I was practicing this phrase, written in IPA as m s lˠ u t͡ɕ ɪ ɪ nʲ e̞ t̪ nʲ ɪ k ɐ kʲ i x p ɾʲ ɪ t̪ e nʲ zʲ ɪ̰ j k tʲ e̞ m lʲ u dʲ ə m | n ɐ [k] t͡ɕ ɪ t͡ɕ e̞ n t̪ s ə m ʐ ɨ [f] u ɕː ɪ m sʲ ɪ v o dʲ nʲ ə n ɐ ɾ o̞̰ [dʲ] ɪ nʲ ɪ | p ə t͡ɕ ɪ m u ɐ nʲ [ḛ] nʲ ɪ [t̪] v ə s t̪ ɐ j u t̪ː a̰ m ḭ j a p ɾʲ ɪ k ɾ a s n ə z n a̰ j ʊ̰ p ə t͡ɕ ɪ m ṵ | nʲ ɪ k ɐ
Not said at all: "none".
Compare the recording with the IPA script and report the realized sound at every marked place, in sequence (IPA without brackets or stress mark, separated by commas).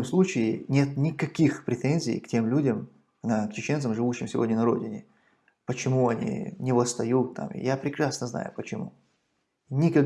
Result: k, v, dʲ, ḭ, none